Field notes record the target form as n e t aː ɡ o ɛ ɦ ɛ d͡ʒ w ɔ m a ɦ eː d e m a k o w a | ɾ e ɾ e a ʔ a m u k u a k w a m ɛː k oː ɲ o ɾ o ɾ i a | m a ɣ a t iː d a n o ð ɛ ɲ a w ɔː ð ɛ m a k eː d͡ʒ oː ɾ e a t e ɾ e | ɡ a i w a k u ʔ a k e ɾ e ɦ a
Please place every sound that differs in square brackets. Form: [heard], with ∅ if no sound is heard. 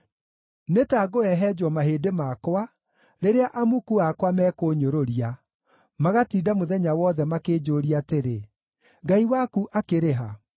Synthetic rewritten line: n e t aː ɡ o ɛ ɦ ɛ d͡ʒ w ɔ m a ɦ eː d e m a k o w a | ɾ e ɾ e a ʔ a m u k u a k w a m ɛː k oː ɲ o ɾ o ɾ i a | m a ɣ a t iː d a [m] o ð ɛ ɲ a w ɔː ð ɛ m a k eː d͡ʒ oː ɾ [i] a t e ɾ e | ɡ a i w a k u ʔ a k e ɾ e ɦ a